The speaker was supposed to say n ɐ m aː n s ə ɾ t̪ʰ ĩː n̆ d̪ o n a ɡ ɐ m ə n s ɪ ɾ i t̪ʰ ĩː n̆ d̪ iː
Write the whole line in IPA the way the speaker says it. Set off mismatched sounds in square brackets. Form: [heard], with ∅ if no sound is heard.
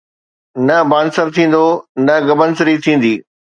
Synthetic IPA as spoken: n ɐ [b] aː n s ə ɾ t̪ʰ ĩː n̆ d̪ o n [ɐ] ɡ ɐ [b] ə n s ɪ ɾ i t̪ʰ ĩː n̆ d̪ iː